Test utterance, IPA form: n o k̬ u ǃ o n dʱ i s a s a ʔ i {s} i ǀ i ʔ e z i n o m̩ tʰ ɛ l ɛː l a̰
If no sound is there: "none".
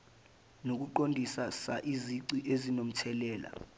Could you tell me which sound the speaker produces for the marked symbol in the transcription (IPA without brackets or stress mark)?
z